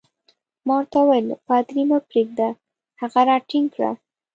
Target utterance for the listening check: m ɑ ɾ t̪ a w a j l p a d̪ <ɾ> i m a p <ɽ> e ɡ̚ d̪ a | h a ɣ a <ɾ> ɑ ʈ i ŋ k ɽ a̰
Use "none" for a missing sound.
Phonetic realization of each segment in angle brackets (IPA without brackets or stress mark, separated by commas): ɾ, ɾ, ɾ